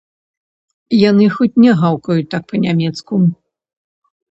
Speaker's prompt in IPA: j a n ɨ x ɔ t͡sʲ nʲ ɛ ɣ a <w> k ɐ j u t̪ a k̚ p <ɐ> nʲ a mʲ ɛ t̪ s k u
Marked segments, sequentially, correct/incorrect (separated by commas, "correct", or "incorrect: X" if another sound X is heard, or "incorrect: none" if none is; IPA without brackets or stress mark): correct, correct